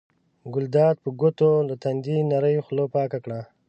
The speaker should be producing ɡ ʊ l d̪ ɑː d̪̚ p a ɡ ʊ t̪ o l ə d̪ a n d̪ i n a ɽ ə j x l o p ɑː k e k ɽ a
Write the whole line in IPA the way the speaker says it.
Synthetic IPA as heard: ɡ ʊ l d̪ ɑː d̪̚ p ə ɡ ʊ t̪ o l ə t̪ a n d̪ i n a ɾ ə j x l o p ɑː k a k ɽ a